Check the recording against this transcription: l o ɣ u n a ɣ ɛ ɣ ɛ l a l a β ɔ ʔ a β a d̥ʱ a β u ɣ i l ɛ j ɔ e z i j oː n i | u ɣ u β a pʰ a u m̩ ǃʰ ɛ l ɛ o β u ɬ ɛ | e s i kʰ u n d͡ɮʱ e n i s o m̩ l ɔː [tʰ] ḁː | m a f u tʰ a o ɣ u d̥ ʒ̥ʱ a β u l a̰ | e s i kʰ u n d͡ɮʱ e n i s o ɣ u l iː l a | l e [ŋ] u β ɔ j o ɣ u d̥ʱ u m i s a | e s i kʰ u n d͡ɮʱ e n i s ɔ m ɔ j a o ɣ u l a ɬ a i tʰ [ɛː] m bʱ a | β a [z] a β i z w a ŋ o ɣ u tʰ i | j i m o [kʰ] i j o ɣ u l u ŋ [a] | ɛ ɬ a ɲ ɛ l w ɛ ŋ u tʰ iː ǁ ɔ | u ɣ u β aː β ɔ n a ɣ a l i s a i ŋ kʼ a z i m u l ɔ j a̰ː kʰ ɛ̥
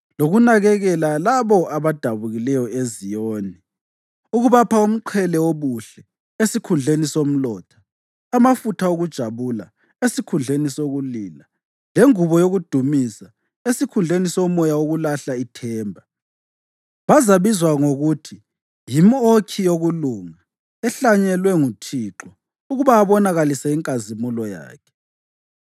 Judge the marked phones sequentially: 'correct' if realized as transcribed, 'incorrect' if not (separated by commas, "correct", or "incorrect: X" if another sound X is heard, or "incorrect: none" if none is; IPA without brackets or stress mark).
correct, correct, correct, correct, correct, correct